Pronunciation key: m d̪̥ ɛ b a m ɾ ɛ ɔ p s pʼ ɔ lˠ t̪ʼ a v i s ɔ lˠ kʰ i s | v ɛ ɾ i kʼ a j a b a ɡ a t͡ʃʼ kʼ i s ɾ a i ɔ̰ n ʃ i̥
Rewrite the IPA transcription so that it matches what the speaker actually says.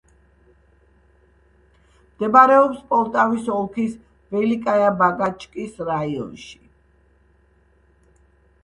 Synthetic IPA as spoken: m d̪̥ ɛ b a ɾ ɛ ɔ p s pʼ ɔ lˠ t̪ʼ a v i s ɔ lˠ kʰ i s | v ɛ l i kʼ a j a b a ɡ a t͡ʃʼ kʼ i s ɾ a i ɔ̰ n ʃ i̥

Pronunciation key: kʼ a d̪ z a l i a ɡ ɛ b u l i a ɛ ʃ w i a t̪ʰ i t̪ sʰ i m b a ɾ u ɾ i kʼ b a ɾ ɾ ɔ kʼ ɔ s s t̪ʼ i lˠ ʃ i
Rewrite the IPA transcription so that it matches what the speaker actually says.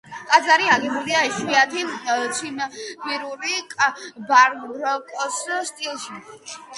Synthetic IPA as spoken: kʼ a d̪ z a ɾ i a ɡ ɛ b u l i a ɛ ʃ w i a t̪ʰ i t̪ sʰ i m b i ɾ u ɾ i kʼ b a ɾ ɾ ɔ kʼ ɔ s s t̪ʼ i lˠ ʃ i

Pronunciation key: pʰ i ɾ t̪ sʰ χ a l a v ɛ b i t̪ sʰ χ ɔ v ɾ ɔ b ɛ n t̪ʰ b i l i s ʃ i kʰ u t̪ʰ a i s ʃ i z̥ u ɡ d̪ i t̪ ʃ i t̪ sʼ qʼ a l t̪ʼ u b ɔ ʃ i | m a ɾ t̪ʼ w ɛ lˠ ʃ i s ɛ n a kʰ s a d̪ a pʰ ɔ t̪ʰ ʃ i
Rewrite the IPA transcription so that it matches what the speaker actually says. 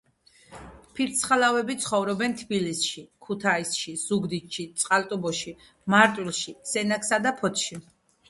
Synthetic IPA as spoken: pʰ i ɾ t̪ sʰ χ a l a v ɛ b i t̪ sʰ χ ɔ v ɾ ɔ b ɛ n t̪ʰ b i l i s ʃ i kʰ u t̪ʰ a i s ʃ i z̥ u ɡ d̪ i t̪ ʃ i t̪ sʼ qʼ a l t̪ʼ u b ɔ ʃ i | m a ɾ t̪ʼ w i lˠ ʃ i s ɛ n a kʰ s a d̪ a pʰ ɔ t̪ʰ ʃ i

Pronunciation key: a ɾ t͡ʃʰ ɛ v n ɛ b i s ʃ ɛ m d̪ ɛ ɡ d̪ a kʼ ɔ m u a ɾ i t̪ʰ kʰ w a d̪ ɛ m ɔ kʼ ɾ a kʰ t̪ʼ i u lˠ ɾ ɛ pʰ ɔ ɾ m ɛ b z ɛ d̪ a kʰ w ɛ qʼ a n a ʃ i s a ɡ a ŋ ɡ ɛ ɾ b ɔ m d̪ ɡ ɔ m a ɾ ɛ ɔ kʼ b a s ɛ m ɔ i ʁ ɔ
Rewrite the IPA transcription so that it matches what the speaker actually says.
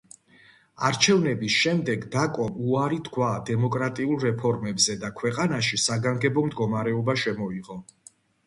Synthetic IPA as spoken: a ɾ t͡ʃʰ ɛ v n ɛ b i s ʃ ɛ m d̪ ɛ ɡ d̪ a kʼ ɔ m u a ɾ i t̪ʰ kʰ w a d̪ ɛ m ɔ kʼ ɾ a t̪ʼ i u lˠ ɾ ɛ pʰ ɔ ɾ m ɛ b z ɛ d̪ a kʰ w ɛ qʼ a n a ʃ i s a ɡ a ŋ ɡ ɛ b ɔ m d̪ ɡ ɔ m a ɾ ɛ ɔ b a ʃ ɛ m ɔ i ʁ ɔ

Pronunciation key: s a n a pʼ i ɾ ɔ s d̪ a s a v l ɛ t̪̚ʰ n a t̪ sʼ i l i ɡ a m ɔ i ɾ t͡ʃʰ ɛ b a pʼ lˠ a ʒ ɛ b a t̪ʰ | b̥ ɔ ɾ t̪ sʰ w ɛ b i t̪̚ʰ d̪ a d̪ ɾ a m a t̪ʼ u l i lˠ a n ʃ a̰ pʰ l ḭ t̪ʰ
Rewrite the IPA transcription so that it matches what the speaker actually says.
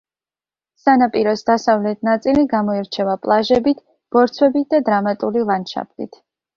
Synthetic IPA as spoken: s a n a pʼ i ɾ ɔ s d̪ a s a v l ɛ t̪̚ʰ n a t̪ sʼ i l i ɡ a m ɔ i ɾ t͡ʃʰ ɛ v a pʼ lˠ a ʒ ɛ b i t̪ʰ | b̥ ɔ ɾ t̪ sʰ w ɛ b i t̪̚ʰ d̪ a d̪ ɾ a m a t̪ʼ u l i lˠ a n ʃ a̰ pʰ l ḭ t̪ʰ

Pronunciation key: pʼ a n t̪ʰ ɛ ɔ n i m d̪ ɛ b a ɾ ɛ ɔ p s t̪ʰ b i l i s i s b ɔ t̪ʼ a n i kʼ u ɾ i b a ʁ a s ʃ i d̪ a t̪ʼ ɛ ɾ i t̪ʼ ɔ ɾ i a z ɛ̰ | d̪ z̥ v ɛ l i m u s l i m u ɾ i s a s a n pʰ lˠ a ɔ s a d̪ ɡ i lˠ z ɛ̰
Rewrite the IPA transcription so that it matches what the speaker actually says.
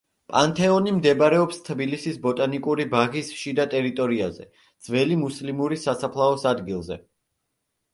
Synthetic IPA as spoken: pʼ a n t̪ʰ ɛ ɔ n i m d̪ ɛ b a ɾ ɛ ɔ p s t̪ʰ b i l i s i s b ɔ t̪ʼ a n i kʼ u ɾ i b a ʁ i s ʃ i d̪ a t̪ʼ ɛ ɾ i t̪ʼ ɔ ɾ i a z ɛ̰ | d̪ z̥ v ɛ l i m u s l i m u ɾ i s a s a pʰ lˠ a ɔ s a d̪ ɡ i lˠ z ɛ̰

